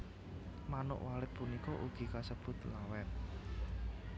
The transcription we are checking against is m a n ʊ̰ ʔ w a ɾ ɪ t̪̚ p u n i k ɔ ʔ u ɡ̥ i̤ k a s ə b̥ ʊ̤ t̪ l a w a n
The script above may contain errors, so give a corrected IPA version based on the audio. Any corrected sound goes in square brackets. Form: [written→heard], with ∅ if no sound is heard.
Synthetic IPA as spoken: m a n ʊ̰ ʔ w a [ɾ→l] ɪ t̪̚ p u n i k ɔ ʔ u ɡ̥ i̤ k a s ə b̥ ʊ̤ t̪ l a w [a→ɛ] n